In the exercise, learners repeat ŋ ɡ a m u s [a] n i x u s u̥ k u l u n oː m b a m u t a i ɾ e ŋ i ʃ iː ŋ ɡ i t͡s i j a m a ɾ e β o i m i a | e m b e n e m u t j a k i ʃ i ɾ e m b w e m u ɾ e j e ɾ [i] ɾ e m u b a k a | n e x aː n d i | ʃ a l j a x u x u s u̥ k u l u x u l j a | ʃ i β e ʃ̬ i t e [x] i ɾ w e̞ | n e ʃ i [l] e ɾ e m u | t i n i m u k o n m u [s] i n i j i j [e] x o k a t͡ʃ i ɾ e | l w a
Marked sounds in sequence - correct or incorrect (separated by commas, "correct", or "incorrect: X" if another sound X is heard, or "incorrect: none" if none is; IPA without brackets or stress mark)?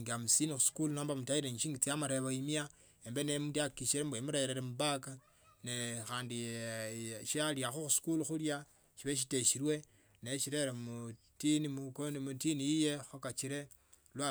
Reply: incorrect: i, incorrect: e, incorrect: ʃ, incorrect: ɾ, incorrect: t, correct